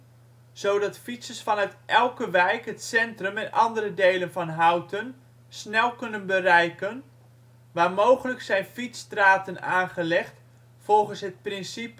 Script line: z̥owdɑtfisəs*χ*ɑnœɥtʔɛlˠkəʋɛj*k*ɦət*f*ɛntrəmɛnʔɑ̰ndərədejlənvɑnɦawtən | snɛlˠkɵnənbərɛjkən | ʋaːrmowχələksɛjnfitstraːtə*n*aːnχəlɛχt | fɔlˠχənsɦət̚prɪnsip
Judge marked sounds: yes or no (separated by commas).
no, yes, no, yes